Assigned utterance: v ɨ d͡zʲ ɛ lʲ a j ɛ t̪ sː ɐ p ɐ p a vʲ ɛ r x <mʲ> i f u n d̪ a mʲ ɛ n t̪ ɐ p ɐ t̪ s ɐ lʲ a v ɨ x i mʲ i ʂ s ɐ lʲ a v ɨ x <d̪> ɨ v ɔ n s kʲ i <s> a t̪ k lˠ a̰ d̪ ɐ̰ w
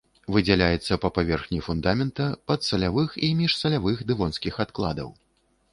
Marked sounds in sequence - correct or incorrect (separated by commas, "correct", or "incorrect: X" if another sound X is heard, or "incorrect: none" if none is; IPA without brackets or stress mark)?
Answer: incorrect: nʲ, correct, incorrect: x